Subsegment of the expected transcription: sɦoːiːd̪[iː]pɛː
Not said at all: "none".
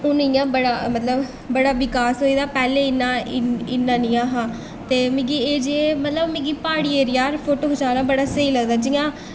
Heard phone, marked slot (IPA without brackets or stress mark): aː